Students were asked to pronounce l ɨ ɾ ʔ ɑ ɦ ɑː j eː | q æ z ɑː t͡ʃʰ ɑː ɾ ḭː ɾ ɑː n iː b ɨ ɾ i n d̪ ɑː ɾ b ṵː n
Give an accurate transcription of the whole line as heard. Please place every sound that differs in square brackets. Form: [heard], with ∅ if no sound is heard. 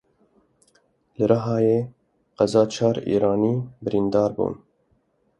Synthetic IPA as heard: l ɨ ɾ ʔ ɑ ɦ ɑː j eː | q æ z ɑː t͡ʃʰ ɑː ɾ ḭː ɾ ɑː n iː b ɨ ɾ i n d̪ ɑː ɾ b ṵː n

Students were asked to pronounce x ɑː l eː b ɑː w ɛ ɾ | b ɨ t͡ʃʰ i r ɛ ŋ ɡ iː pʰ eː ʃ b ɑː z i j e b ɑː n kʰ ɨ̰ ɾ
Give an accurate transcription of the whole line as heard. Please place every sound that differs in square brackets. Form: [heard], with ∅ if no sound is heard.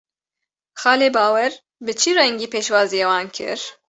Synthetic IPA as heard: x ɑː l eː b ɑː w ɛ ɾ | b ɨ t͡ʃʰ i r ɛ ŋ ɡ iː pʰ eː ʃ [w] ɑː z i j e [w] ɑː n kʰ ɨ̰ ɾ

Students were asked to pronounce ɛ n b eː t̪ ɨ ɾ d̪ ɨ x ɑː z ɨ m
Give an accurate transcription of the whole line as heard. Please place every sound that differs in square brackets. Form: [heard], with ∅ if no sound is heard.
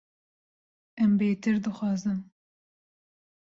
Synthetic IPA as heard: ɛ [m] b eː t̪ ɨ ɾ d̪ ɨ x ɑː z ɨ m

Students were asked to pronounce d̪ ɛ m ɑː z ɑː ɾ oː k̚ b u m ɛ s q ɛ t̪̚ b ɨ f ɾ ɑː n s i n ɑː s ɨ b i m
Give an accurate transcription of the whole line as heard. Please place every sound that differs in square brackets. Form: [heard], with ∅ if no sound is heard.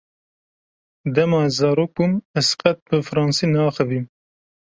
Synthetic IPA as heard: d̪ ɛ m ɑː z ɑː ɾ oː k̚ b u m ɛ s q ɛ t̪̚ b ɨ f ɾ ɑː n s i n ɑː [x] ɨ [v] i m

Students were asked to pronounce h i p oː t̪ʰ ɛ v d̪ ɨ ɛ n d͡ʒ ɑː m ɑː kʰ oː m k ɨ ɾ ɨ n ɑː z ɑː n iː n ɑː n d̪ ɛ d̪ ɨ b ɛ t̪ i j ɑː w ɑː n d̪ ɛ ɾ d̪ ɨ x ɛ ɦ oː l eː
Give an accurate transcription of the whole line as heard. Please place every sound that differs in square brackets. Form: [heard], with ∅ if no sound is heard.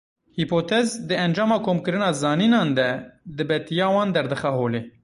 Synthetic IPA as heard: h i p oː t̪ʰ ɛ [z] d̪ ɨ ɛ n d͡ʒ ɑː m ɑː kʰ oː m k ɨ ɾ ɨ n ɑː z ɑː n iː n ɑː n d̪ ɛ d̪ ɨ b ɛ t̪ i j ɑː w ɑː n d̪ ɛ ɾ d̪ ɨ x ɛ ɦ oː l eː

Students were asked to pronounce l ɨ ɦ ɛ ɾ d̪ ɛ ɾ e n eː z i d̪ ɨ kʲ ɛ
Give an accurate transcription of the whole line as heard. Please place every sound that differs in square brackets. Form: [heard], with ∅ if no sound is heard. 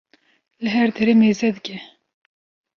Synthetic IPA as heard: l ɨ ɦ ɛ ɾ d̪ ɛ ɾ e [m] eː z [ɛ] d̪ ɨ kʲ ɛ

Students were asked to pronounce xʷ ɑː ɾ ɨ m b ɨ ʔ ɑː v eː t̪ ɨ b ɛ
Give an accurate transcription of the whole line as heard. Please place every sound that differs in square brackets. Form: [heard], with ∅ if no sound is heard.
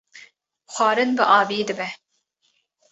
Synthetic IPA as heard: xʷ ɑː ɾ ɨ [n] b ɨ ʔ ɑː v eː [d̪] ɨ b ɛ

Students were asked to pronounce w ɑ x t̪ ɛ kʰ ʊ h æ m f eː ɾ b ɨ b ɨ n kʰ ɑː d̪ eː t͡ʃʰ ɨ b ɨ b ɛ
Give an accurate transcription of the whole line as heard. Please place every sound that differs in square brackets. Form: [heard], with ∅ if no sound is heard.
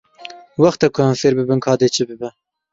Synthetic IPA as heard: w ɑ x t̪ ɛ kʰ ʊ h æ m f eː ɾ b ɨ b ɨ n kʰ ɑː d̪ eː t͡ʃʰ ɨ b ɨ b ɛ

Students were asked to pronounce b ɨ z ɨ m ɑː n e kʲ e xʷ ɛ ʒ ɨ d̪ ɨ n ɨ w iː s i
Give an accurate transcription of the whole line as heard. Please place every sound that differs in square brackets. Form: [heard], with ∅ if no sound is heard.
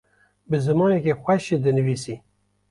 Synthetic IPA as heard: b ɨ z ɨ m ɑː n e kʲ e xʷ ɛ [ʃ] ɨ d̪ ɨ n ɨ [v] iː s i

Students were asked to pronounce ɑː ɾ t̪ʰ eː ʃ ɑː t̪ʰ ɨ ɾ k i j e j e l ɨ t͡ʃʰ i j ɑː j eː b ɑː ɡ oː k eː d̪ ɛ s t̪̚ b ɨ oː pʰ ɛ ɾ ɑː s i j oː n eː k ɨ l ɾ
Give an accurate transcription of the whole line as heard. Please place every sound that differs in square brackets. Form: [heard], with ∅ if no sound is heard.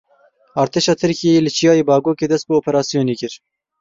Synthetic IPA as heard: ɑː ɾ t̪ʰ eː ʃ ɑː t̪ʰ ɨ ɾ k i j e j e l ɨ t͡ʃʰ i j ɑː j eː b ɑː ɡ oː k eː d̪ ɛ s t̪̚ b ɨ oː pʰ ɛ ɾ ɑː s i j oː n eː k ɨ [∅] ɾ

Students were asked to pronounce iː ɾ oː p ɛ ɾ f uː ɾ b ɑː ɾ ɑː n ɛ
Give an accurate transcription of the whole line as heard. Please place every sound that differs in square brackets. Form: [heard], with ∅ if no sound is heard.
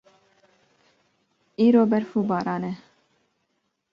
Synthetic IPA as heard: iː ɾ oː [b] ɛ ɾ f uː [∅] b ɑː ɾ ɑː n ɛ

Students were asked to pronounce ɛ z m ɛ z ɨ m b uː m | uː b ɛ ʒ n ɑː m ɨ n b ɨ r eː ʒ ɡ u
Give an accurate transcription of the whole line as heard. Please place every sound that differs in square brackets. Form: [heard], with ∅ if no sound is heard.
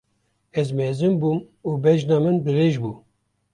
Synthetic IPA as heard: ɛ z m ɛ z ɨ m b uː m | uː b ɛ ʒ n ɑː m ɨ n b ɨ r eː ʒ [b] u

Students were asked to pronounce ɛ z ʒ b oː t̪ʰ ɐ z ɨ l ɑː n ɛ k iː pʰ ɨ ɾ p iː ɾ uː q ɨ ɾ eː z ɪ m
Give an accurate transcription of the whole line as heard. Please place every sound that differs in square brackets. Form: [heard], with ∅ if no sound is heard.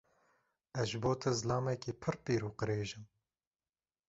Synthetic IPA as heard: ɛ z ʒ b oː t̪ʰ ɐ z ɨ l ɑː [m] ɛ k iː pʰ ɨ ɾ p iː ɾ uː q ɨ ɾ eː [ʒ] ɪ m

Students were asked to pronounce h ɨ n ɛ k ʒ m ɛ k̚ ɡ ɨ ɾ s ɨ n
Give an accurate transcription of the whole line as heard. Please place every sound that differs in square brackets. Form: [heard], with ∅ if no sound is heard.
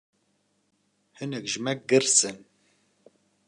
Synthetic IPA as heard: h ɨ n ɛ k ʒ m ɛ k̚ ɡ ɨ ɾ s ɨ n

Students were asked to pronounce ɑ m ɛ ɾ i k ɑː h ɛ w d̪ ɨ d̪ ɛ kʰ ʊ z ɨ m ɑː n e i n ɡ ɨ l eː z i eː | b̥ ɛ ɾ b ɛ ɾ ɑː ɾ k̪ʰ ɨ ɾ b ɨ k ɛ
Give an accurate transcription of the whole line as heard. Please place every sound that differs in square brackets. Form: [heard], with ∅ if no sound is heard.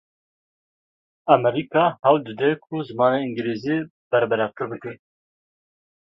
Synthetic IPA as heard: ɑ m ɛ ɾ i k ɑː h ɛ w d̪ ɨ d̪ ɛ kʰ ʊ z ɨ m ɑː n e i [ŋ] ɡ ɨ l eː z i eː | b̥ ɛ ɾ b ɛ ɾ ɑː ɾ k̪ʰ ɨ ɾ b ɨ k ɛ

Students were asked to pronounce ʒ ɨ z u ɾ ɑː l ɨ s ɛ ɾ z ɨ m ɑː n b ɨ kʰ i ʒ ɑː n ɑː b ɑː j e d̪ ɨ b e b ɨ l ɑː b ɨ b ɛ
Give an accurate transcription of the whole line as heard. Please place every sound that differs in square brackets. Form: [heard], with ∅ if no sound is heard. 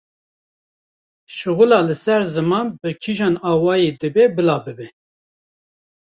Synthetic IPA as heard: [ʃ] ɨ [ɣ] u [l] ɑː l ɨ s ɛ ɾ z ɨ m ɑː n b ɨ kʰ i ʒ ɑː n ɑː [w] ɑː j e d̪ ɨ b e b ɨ l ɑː b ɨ b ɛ

